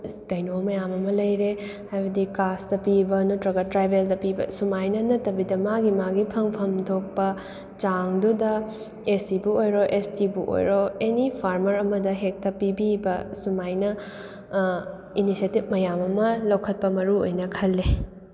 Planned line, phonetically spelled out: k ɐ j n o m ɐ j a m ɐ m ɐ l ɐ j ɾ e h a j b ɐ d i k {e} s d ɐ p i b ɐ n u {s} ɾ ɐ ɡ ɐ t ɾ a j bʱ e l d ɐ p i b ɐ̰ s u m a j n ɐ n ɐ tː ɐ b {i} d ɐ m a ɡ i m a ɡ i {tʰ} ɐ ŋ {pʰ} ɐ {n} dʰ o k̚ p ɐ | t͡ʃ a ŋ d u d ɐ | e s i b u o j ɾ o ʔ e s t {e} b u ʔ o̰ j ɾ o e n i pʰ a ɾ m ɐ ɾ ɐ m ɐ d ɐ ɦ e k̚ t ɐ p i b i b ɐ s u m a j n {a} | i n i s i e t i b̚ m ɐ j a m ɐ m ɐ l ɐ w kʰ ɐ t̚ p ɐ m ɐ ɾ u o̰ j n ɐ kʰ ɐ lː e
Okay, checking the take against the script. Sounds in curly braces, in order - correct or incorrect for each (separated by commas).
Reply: incorrect, incorrect, correct, incorrect, correct, incorrect, incorrect, incorrect